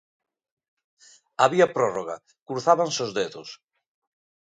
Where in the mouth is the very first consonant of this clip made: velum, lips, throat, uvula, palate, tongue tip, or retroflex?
lips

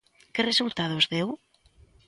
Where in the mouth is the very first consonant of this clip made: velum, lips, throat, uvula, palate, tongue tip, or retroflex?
velum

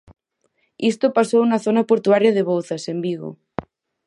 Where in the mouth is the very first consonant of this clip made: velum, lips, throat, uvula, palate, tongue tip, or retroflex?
tongue tip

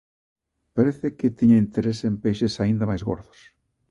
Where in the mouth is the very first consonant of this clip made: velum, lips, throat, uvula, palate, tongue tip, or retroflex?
lips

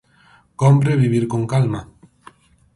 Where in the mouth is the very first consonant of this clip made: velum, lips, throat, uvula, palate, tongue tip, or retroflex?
velum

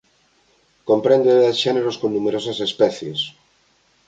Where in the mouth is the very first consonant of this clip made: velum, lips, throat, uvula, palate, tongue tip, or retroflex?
velum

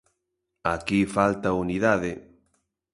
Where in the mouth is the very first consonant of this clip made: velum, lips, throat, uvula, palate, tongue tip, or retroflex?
velum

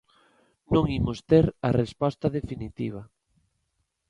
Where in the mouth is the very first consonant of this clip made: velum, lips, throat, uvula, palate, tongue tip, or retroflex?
tongue tip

